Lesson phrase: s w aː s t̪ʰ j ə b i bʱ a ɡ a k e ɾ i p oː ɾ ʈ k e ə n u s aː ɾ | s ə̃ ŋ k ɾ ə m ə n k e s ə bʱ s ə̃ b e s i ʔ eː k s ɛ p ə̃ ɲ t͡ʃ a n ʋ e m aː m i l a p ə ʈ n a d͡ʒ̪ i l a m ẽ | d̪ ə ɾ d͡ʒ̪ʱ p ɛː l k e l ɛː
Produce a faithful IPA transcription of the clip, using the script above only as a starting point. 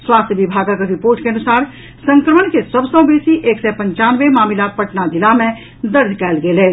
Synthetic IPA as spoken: s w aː s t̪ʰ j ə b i bʱ a ɡ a k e ɾ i p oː ɾ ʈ k e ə n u s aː ɾ | s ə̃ ŋ k ɾ ə m ə n k e s ə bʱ s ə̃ b e s i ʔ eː k s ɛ p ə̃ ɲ t͡ʃ a n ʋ e m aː m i l a p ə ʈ n a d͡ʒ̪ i l a m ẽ | d̪ ə ɾ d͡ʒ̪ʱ k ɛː l ɡ e l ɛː